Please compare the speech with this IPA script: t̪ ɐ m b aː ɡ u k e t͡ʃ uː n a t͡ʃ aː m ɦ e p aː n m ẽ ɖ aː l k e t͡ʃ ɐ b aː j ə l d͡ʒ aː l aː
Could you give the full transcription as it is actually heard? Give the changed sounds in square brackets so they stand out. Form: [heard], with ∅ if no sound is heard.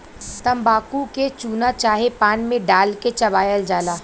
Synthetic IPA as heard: t̪ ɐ m b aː [k] u k e t͡ʃ uː n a t͡ʃ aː [∅] ɦ e p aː n m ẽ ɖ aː l k e t͡ʃ ɐ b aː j ə l d͡ʒ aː l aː